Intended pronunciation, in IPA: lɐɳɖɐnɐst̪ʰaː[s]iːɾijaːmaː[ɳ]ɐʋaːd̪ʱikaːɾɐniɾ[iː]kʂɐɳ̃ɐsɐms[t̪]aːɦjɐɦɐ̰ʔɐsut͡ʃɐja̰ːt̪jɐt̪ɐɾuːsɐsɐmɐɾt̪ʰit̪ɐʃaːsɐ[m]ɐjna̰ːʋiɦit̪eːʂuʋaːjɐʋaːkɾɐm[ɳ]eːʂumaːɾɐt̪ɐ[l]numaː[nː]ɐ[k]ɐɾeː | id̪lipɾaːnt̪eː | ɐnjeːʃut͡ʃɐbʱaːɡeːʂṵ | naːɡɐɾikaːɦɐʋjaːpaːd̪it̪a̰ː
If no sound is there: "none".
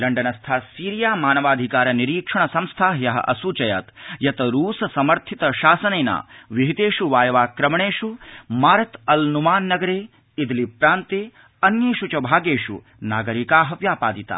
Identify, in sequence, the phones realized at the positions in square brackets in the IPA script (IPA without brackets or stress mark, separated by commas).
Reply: s, n, iː, t̪ʰ, n, ɳ, l, nː, ɡ